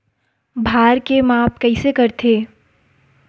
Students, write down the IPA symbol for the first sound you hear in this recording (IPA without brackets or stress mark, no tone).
bʱ